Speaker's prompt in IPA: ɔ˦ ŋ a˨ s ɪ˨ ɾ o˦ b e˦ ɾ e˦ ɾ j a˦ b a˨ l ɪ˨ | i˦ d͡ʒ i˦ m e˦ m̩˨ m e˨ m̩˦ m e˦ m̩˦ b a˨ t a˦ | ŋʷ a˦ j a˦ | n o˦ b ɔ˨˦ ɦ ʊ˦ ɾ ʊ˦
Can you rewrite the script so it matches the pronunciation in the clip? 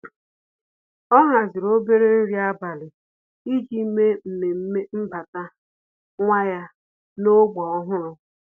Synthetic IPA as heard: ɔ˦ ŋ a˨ z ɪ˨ ɾ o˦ b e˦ ɾ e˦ ɾ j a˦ b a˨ l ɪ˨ | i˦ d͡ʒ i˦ m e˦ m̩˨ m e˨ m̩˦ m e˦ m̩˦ b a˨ t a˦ | ŋʷ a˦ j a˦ | n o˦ ɡ͡b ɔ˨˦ ɦ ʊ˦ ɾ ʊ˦

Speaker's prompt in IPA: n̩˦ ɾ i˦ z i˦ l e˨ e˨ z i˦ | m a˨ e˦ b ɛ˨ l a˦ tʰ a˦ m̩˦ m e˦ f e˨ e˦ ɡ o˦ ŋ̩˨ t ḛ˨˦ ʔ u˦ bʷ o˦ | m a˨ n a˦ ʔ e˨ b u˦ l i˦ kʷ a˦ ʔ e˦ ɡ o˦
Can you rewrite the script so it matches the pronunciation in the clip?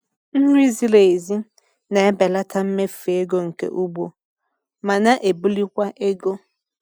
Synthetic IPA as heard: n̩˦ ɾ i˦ z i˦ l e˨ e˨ z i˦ | n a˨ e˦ b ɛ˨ l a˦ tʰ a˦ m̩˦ m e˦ f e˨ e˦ ɡ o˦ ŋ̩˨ k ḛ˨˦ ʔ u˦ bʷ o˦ | m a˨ n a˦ ʔ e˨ b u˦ l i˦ kʷ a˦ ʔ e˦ ɡ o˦

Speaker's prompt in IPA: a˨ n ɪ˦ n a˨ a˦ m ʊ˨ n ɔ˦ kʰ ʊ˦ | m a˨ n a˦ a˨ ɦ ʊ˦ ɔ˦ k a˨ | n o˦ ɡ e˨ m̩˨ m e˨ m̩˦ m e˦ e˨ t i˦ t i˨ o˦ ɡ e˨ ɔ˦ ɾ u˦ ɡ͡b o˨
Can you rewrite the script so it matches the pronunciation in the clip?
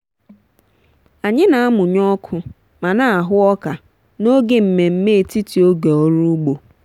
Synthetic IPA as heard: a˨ ɲ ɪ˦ n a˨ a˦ m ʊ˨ ɲ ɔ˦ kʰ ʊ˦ | m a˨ n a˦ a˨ ɦ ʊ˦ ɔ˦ k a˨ | n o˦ ɡ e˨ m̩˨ m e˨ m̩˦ m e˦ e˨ t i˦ t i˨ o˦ ɡ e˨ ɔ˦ ɾ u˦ ɡ͡b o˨

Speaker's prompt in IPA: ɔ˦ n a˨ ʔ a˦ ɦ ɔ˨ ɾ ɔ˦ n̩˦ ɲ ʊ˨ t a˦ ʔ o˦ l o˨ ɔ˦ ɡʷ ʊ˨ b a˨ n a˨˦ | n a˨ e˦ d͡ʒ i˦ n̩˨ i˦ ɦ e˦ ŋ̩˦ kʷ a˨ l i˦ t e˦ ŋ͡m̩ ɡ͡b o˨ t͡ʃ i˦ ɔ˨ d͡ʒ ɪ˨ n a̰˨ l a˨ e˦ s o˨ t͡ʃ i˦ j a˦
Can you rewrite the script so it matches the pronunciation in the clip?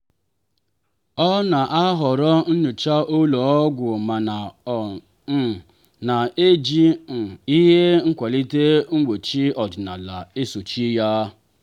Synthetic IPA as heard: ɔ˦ n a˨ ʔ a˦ ɦ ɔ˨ ɾ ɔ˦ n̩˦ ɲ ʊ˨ t͡ʃ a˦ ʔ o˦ l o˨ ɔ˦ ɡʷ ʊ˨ m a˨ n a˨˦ | n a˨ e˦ d͡ʒ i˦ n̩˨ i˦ ɦ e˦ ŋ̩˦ kʷ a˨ l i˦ t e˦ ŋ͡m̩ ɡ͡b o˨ t͡ʃ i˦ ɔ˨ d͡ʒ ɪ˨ n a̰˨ l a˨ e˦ s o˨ t͡ʃ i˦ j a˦

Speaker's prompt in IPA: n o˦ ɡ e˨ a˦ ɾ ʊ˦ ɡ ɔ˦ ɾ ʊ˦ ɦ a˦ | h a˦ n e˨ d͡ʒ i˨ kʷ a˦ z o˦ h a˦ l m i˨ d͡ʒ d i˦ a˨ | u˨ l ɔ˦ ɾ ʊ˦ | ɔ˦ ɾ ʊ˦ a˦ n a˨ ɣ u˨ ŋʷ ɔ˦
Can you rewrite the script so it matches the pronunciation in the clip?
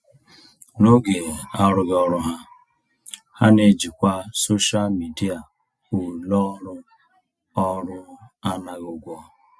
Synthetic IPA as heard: n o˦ ɡ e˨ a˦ ɾ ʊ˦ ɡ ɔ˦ ɾ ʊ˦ ɦ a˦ | h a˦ n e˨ d͡ʒ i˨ kʷ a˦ s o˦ ʃ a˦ l m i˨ d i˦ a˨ | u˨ l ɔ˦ ɾ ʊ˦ | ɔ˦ ɾ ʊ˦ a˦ n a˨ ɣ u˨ ɡʷ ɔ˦

